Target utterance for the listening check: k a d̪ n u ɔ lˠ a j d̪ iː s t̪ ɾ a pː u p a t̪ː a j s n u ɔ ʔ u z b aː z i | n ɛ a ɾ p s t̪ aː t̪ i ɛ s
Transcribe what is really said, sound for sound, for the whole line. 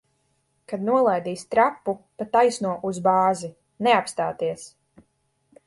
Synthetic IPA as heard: k a d̪ n u ɔ lˠ a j d̪ iː s t̪ ɾ a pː u p a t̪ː a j s n u ɔ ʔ u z b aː z i | n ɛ a p s t̪ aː t̪ i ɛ s